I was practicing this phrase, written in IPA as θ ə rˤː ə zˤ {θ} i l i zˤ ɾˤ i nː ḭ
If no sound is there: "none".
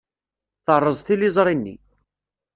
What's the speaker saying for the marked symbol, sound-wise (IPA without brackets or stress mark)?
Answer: θ